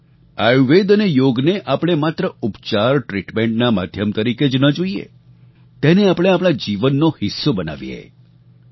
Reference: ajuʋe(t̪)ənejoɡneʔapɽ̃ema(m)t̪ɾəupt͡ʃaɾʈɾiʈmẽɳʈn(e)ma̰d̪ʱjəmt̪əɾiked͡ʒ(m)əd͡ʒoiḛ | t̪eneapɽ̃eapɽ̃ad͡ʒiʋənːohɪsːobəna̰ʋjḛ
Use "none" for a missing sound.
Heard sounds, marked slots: d̪, none, a, n

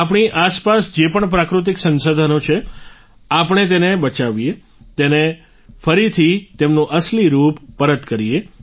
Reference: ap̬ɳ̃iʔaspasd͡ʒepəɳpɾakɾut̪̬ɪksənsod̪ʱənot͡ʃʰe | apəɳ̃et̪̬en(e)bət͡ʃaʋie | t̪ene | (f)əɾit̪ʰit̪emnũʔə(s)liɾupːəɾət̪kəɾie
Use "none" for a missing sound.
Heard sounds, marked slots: e, f, s

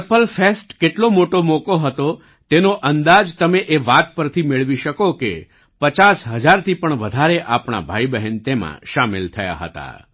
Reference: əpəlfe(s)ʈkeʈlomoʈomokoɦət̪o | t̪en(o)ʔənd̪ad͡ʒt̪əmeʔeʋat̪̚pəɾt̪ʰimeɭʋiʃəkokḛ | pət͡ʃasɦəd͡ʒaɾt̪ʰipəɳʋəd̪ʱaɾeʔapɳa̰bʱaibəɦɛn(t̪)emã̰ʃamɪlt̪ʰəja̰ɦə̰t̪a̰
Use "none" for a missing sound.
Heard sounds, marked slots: s, o, t̪

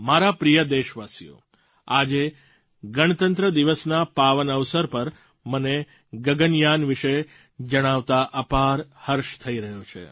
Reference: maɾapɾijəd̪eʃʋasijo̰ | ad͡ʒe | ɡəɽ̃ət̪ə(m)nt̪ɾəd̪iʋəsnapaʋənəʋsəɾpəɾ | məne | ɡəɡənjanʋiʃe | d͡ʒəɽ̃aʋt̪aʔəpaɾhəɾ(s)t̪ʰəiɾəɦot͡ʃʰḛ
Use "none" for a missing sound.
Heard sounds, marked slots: none, ʃ

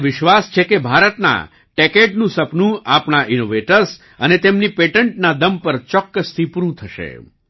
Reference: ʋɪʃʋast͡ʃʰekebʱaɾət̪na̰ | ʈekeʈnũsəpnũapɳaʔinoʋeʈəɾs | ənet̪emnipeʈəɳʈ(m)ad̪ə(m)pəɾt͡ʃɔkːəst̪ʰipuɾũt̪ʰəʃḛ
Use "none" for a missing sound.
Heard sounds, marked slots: n, m

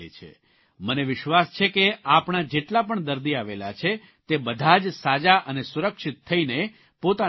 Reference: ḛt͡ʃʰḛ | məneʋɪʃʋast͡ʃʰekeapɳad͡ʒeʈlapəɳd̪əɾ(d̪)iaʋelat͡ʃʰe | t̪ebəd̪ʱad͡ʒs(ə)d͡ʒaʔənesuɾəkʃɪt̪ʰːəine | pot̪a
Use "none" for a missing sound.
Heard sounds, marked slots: d̪, a

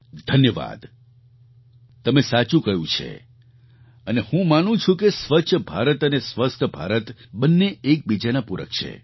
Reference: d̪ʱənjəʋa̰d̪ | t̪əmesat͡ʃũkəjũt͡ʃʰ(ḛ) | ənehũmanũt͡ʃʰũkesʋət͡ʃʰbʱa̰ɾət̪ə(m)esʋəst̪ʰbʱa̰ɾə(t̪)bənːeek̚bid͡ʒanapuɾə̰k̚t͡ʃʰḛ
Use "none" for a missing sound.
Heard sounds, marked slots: ḛ, n, t̪

